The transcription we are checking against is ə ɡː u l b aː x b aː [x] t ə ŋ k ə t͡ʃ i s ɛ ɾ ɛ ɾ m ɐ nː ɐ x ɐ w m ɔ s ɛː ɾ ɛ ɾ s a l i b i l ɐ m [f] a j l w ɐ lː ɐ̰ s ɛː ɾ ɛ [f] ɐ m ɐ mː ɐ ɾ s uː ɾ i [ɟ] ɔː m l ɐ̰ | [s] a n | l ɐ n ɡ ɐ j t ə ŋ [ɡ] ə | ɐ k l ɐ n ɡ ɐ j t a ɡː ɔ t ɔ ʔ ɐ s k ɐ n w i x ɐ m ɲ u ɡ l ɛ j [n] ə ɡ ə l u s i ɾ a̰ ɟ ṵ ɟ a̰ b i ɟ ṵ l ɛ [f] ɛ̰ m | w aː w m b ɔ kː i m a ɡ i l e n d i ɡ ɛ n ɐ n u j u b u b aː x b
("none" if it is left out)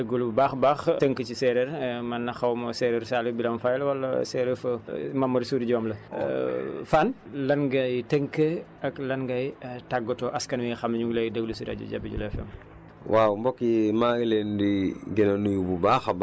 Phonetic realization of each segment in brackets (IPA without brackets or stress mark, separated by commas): x, f, f, ɟ, f, k, d, f